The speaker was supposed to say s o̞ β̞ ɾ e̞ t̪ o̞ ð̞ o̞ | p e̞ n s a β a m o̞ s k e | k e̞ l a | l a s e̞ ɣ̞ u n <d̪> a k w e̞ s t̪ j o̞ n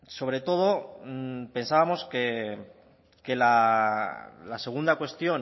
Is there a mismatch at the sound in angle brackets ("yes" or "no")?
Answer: no